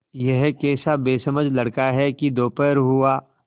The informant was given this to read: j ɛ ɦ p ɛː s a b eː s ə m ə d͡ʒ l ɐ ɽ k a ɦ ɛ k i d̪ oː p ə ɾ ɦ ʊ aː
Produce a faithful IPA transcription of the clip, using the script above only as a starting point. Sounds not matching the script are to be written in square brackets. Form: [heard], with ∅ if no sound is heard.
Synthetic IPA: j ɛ ɦ [k] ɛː s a b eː s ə m ə d͡ʒ l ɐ ɽ k a ɦ ɛ k i d̪ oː p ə ɾ ɦ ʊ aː